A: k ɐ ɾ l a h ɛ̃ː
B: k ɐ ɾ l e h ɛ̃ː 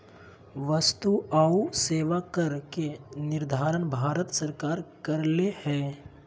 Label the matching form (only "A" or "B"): B